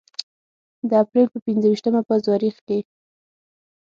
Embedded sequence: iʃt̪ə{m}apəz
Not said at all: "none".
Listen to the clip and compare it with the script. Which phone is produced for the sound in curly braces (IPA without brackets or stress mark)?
m